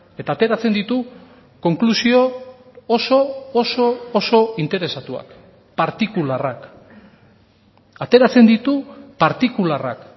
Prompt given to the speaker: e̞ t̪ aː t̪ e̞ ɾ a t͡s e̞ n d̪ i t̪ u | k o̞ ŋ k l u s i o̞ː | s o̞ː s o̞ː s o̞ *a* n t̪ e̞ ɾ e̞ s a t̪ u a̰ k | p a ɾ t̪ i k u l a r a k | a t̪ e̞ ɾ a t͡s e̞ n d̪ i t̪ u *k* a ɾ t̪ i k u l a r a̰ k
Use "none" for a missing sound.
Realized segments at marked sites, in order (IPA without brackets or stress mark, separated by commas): i, p